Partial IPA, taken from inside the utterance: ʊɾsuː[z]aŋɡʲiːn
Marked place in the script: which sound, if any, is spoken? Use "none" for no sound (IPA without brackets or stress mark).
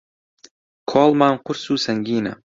s